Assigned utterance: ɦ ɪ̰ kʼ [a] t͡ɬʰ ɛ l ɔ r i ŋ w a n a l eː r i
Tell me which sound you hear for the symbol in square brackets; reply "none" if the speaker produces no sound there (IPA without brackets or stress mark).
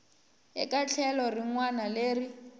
a